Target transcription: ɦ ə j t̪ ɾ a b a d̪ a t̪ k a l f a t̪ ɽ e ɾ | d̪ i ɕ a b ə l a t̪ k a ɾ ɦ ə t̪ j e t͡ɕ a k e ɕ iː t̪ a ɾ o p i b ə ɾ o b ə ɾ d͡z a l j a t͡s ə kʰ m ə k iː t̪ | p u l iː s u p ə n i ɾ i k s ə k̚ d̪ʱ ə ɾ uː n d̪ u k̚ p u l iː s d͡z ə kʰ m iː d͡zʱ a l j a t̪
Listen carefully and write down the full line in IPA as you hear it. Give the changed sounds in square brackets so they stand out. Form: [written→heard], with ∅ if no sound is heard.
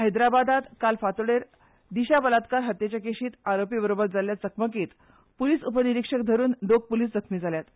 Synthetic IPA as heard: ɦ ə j [t̪→d̪] ɾ a b a d̪ a t̪ k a l f a t̪ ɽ e ɾ | d̪ i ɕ a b ə l a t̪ k a ɾ ɦ ə t̪ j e t͡ɕ a k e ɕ iː t̪ a ɾ o p i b ə ɾ o b ə ɾ d͡z a l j a t͡s ə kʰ m ə k iː t̪ | p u l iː s u p ə n i ɾ i k [s→ʂ] ə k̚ d̪ʱ ə ɾ uː n d̪ [u→o] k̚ p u l iː s d͡z ə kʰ m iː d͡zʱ a l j a t̪